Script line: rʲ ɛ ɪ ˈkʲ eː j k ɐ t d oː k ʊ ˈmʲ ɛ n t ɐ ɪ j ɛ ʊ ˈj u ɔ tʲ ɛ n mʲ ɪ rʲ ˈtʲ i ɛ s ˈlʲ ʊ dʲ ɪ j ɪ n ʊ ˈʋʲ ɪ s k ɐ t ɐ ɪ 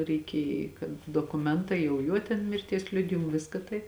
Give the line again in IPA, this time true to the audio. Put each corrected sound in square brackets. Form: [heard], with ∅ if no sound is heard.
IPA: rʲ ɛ ɪ ˈkʲ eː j k ɐ t d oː k ʊ ˈmʲ ɛ n t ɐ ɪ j ɛ ʊ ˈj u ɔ tʲ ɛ n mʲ ɪ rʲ ˈtʲ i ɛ s ˈlʲ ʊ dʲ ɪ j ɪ [m] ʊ ˈʋʲ ɪ s k ɐ t ɐ ɪ